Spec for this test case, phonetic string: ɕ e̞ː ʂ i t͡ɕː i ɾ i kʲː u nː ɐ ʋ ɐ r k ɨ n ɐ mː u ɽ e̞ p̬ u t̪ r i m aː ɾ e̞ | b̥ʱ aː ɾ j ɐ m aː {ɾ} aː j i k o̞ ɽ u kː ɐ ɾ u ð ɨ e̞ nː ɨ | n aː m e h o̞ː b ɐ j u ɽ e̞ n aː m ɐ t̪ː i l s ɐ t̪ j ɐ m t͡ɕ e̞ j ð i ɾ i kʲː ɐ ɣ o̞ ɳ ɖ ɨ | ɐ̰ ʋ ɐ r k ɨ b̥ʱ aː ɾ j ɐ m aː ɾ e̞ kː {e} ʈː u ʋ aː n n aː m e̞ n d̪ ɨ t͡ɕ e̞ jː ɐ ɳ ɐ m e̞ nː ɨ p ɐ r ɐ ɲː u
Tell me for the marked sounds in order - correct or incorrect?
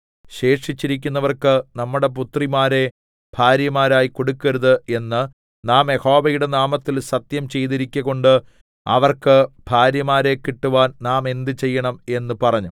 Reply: correct, incorrect: i

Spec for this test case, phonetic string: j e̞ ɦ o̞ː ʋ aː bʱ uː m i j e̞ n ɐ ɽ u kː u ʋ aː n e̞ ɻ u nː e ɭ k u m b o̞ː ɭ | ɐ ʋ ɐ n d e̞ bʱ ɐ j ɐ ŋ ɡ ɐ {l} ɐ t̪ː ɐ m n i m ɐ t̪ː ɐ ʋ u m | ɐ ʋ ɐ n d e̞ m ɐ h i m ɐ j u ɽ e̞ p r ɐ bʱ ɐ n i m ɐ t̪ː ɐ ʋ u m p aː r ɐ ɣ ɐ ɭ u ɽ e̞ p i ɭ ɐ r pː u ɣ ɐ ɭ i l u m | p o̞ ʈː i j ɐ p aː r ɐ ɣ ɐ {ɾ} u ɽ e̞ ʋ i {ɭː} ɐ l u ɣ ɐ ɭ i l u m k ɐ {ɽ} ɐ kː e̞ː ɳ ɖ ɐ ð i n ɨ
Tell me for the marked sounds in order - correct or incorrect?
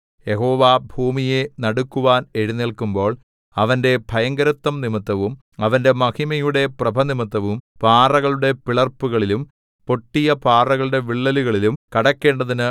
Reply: incorrect: ɾ, incorrect: ɭ, correct, correct

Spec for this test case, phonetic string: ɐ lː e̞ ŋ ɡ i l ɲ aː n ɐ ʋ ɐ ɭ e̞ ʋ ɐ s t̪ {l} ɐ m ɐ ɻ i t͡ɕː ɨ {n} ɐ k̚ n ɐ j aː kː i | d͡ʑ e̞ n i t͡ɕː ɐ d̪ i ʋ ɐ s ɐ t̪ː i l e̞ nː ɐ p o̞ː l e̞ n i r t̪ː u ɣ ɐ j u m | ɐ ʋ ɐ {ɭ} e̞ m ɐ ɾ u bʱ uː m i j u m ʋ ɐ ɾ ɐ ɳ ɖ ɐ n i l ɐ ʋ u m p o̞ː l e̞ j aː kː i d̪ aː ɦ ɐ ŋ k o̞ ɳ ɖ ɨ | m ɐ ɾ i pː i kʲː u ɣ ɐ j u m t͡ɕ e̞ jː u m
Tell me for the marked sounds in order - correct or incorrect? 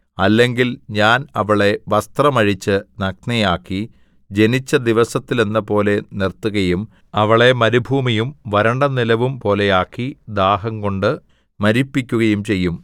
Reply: incorrect: r, correct, correct

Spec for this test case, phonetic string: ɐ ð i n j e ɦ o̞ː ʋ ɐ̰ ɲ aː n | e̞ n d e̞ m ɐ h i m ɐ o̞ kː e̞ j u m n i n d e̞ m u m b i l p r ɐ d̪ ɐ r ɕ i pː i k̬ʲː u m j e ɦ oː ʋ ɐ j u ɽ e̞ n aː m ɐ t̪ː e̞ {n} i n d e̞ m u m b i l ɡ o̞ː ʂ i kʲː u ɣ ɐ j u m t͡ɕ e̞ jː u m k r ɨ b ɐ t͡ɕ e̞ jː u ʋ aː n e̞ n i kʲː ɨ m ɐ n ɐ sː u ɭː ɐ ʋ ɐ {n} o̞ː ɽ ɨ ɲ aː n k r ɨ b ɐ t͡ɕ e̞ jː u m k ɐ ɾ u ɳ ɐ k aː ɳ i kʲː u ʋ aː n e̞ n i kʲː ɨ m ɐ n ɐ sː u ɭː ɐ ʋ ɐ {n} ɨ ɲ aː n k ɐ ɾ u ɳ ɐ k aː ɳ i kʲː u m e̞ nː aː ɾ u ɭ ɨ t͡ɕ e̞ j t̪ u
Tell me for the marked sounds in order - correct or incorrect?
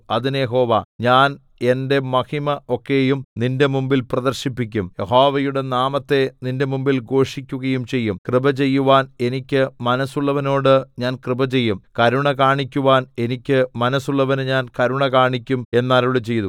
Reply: correct, correct, correct

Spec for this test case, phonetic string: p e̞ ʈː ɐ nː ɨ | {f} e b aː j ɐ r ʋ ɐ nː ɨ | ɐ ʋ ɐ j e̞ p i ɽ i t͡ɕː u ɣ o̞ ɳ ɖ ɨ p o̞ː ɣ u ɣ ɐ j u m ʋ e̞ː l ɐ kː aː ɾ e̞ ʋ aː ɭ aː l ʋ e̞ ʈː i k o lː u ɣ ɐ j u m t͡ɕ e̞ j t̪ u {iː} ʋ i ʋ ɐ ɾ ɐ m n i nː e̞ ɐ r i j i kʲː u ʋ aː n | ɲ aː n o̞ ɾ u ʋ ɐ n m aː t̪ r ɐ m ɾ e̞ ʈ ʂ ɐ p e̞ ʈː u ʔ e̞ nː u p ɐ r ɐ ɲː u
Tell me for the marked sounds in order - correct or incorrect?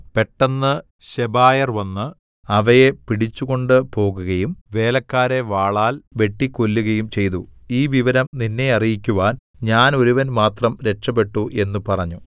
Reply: incorrect: ɕ, correct

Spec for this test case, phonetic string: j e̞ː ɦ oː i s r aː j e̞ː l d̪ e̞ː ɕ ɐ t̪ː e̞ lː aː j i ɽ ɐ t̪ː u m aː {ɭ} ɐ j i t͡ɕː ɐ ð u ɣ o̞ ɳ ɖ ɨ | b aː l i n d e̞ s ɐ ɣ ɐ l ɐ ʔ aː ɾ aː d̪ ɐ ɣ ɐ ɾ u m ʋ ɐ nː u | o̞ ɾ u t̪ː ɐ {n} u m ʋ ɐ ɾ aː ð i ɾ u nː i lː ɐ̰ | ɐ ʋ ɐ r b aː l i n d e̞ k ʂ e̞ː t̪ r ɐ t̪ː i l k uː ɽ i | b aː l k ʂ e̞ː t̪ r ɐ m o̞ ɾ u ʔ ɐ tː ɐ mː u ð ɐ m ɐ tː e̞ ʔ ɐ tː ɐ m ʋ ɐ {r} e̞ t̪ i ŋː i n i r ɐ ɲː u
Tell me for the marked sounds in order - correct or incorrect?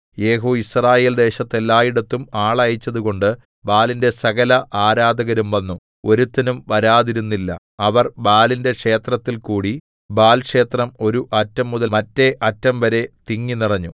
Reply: correct, correct, incorrect: ɾ

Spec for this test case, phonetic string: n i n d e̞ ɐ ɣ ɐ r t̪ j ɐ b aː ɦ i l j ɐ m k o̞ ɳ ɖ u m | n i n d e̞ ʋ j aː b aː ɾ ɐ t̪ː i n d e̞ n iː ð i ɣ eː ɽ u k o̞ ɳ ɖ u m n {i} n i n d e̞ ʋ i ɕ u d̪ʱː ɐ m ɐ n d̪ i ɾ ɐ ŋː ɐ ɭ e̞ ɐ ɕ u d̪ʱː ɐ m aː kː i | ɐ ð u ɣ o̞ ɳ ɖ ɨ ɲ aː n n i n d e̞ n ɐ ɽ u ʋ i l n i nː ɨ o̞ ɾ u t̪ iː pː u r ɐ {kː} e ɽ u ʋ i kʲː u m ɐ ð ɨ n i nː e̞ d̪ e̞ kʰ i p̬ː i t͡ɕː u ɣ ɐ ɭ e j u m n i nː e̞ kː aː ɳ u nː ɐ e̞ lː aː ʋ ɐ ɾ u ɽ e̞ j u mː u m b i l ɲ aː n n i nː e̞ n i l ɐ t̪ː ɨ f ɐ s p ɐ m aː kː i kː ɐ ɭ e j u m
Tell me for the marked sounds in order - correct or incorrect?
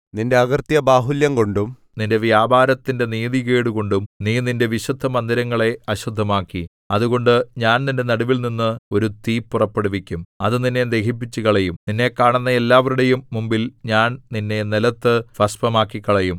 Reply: incorrect: iː, incorrect: pː

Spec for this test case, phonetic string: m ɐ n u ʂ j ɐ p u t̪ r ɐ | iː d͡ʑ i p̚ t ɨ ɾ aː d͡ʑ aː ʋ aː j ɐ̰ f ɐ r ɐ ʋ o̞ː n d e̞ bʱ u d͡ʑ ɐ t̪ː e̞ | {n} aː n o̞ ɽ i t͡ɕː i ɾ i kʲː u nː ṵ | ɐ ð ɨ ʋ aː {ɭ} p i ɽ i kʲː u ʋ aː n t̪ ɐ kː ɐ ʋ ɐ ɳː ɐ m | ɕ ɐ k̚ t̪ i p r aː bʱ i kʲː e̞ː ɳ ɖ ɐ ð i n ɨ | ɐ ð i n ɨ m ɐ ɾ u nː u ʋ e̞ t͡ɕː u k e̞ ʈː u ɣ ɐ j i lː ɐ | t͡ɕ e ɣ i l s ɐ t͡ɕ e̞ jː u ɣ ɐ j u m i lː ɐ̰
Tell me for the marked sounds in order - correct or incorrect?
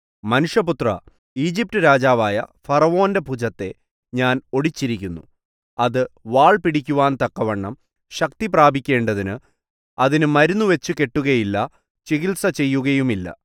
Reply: incorrect: ɲ, correct

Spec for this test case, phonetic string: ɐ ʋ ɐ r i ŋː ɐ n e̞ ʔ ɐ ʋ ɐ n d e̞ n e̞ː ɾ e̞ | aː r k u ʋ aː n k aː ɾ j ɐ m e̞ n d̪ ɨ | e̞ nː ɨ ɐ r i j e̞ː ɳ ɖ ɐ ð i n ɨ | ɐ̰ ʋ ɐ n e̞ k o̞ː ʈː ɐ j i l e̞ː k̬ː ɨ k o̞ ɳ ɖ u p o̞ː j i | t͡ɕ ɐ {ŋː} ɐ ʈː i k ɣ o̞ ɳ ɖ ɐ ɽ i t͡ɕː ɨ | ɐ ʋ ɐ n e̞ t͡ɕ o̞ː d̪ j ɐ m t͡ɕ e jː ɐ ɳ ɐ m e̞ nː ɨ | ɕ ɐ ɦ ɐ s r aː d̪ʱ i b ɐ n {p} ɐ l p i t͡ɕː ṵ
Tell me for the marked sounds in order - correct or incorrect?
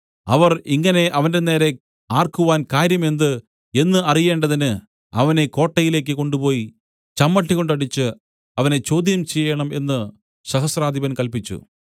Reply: incorrect: mː, incorrect: k

